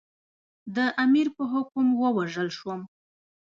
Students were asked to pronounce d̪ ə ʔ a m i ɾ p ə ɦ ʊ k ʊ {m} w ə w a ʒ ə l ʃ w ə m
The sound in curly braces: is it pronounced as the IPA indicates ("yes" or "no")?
yes